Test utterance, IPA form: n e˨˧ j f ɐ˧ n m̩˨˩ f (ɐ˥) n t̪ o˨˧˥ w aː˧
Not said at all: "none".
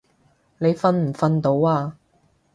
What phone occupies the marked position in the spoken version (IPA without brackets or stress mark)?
ɐ˧